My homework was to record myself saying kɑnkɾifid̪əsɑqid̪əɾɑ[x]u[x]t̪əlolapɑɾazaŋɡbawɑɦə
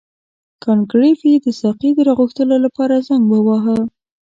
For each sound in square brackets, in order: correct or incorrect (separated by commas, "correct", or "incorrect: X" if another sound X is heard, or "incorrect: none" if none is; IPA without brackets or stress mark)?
incorrect: ɣ, correct